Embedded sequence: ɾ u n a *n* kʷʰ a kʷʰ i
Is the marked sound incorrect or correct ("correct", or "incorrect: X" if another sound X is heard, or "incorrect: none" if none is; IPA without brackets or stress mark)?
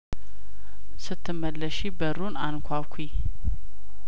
correct